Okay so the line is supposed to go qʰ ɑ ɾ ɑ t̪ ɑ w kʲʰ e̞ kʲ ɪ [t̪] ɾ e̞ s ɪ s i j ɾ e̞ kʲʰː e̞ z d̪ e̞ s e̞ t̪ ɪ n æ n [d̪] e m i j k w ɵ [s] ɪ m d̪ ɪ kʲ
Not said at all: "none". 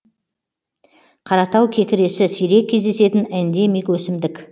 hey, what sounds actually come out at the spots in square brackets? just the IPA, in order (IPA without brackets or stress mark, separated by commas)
none, d̪, s